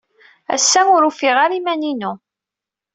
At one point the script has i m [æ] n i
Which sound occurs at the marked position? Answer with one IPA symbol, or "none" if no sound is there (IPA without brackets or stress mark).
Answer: æ